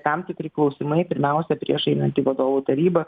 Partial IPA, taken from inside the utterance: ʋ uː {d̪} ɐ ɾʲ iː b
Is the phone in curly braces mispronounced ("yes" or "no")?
yes